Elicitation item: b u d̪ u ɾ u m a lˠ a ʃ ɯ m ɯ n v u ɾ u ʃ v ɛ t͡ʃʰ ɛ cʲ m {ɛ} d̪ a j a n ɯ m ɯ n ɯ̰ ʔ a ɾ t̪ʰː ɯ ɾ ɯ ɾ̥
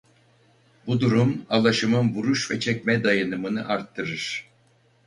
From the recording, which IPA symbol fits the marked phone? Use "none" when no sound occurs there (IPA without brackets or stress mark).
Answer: ɛ